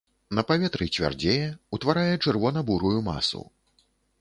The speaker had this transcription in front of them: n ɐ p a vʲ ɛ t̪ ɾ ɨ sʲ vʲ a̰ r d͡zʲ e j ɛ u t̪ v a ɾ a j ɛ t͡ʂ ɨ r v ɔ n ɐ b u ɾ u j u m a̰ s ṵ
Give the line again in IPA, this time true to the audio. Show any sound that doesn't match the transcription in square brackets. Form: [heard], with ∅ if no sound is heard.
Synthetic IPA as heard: n ɐ p a vʲ ɛ t̪ ɾ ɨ [t͡sʲ] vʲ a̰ r d͡zʲ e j ɛ u t̪ v a ɾ a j ɛ t͡ʂ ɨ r v ɔ n ɐ b u ɾ u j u m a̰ s ṵ